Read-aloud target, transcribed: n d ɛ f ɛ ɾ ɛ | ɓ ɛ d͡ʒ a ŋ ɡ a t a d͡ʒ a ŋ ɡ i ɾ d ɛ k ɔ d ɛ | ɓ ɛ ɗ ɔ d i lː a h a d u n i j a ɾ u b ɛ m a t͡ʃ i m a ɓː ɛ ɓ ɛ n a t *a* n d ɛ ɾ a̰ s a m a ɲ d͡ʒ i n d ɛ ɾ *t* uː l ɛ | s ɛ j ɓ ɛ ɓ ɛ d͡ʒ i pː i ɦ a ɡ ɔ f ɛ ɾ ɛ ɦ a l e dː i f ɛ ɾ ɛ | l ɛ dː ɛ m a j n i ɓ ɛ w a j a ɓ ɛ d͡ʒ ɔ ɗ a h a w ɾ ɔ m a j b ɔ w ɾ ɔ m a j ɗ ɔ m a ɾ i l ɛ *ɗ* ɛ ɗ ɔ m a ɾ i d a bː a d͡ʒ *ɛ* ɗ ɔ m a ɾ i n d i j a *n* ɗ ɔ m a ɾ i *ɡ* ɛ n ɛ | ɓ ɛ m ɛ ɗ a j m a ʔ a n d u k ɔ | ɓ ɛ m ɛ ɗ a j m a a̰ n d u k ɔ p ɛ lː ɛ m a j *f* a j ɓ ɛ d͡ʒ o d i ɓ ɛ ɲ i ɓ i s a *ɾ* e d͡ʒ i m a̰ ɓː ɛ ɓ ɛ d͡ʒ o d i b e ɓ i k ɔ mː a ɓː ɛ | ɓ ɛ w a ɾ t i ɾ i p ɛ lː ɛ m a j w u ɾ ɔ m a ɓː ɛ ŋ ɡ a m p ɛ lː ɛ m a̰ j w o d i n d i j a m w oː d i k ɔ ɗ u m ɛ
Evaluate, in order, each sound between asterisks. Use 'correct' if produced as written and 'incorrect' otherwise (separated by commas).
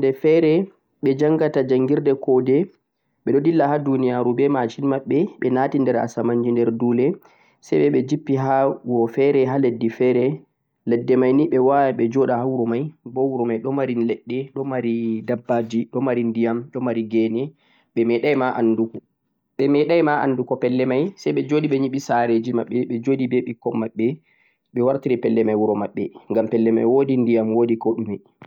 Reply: incorrect, incorrect, incorrect, incorrect, incorrect, correct, incorrect, correct